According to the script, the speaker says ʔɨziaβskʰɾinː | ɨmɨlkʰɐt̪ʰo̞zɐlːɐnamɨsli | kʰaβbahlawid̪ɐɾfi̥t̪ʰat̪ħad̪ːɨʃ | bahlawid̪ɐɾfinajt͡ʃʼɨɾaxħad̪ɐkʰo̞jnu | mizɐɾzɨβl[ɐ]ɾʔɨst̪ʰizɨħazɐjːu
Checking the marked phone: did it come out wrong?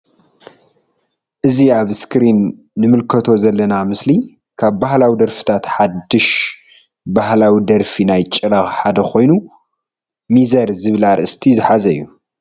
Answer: yes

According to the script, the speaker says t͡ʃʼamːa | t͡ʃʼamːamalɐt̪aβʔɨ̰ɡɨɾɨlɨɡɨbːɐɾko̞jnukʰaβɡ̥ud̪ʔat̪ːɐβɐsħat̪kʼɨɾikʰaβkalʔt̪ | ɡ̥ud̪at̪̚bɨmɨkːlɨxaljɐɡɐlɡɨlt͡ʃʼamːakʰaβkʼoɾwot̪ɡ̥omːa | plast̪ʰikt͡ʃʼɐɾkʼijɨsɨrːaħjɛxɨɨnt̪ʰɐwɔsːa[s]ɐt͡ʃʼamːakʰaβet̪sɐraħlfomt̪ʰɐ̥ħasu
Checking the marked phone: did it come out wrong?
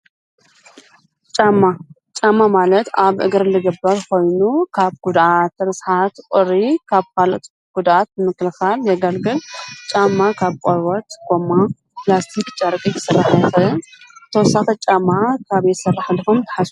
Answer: yes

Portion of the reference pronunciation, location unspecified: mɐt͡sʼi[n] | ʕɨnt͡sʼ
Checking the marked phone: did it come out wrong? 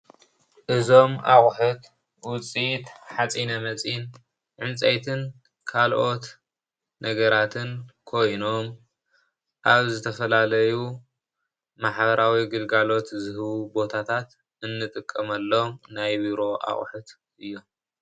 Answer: no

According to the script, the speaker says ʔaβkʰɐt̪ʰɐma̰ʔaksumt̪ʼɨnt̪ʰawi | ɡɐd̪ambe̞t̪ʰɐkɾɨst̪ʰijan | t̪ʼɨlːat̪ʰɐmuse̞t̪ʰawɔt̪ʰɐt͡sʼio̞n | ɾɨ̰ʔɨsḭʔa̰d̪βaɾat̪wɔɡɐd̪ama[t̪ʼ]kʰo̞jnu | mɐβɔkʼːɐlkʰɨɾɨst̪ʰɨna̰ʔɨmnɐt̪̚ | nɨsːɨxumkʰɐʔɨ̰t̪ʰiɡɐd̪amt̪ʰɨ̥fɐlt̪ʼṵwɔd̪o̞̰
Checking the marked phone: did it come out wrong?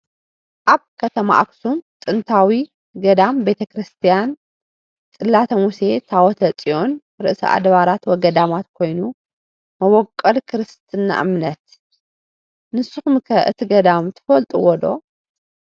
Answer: yes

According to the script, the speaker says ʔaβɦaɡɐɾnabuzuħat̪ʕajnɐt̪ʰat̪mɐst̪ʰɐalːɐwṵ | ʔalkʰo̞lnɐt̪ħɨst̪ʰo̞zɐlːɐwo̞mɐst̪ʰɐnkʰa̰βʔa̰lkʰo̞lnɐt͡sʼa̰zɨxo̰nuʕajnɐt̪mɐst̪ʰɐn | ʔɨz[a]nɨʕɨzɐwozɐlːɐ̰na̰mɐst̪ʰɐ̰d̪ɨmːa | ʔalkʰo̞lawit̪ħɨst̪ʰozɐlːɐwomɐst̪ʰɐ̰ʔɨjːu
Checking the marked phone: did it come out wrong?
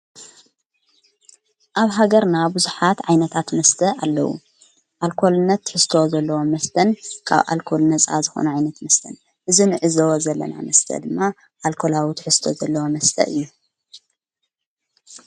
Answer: yes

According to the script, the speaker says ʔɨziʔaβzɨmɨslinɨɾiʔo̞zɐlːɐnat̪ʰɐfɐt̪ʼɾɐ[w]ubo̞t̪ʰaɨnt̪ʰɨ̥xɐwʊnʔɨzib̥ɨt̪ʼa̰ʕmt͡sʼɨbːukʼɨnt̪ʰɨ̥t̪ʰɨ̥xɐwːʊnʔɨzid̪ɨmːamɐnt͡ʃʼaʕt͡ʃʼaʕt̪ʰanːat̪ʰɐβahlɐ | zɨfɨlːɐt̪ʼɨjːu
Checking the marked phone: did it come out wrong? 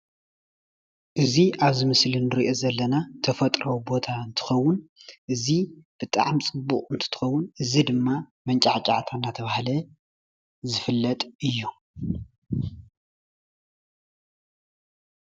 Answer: no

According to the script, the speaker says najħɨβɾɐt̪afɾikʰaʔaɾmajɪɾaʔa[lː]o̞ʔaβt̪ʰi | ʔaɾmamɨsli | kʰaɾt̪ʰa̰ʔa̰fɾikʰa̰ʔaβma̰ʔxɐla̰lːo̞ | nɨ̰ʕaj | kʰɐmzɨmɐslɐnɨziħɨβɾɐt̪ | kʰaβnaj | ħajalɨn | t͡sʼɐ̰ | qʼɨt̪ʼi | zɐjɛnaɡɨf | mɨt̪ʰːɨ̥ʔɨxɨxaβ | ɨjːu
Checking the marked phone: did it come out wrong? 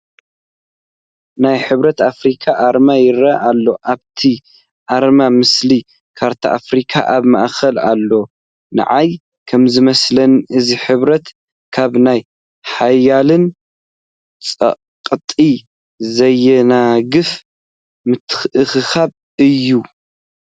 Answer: no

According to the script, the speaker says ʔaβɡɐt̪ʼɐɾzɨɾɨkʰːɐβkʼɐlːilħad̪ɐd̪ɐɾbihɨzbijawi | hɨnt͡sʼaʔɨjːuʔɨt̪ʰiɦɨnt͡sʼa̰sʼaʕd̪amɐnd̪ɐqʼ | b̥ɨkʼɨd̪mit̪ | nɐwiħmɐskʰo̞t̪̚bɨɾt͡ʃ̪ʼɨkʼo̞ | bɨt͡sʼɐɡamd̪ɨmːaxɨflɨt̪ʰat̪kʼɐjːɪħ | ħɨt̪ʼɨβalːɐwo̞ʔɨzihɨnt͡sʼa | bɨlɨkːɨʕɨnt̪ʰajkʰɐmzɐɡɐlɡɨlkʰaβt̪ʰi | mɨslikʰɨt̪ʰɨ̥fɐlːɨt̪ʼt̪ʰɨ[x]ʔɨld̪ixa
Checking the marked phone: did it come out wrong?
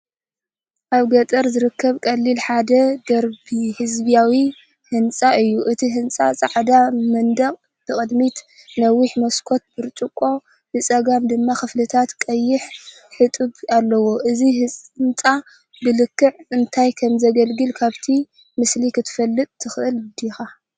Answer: no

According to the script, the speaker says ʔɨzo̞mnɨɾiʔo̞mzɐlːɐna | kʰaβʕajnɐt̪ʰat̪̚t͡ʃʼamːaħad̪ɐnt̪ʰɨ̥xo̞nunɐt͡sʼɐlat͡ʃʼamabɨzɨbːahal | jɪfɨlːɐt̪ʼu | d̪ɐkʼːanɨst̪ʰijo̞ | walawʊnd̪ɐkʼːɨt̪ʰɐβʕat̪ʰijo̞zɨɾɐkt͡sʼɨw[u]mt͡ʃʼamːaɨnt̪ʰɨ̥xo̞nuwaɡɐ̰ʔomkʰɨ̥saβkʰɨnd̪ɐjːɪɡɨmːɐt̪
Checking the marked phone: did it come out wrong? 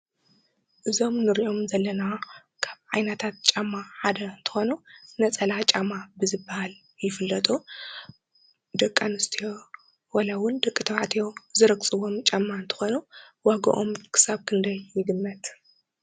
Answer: yes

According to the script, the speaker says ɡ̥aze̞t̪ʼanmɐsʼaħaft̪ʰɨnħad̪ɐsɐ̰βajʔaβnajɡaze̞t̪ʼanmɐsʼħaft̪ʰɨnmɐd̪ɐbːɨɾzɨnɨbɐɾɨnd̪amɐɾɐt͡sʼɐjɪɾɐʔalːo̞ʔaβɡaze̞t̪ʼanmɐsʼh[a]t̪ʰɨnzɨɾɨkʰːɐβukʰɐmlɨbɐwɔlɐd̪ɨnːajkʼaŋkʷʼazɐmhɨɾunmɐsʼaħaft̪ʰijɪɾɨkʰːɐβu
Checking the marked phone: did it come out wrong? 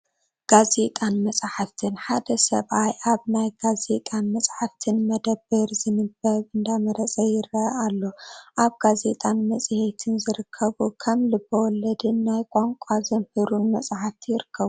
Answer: yes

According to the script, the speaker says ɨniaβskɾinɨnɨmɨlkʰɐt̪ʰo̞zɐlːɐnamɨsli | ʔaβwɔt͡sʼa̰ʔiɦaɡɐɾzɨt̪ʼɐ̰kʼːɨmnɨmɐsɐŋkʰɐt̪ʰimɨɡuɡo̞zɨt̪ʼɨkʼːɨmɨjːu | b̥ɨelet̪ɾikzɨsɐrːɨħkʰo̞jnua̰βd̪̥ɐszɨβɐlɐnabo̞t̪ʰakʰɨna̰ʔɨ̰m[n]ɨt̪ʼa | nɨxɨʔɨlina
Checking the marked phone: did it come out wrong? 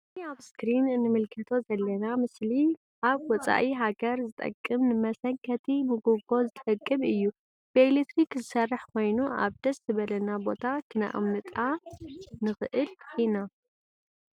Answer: no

